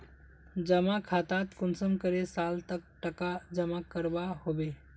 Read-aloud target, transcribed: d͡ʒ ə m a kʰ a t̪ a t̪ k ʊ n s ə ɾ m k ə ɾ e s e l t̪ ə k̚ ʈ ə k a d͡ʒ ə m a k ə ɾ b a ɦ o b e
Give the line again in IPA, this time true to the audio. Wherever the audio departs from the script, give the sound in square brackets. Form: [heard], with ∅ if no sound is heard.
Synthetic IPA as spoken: d͡ʒ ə m a kʰ a t̪ a t̪ k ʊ n s ə [∅] m k ə ɾ e s [a] l t̪ ə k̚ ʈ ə k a d͡ʒ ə m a k ə ɾ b a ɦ o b e